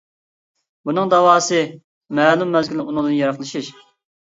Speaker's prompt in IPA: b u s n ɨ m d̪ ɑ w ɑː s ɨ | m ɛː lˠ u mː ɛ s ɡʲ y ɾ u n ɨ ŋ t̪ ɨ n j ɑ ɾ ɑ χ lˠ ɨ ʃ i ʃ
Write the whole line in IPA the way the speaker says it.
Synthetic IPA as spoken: b u n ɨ ŋ d̪ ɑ w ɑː s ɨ | m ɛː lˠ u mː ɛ z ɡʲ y l u n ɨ ŋ d̪ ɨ n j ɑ ɾ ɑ χ lˠ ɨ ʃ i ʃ